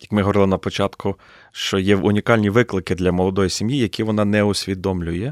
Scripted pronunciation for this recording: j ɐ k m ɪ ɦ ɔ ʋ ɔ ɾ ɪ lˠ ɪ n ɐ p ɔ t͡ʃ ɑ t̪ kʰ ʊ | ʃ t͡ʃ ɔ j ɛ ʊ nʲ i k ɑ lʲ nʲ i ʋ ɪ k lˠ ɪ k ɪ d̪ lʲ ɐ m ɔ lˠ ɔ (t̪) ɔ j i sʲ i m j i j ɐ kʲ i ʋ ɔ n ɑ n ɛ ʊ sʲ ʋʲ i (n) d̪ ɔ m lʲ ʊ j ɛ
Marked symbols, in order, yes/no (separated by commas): no, no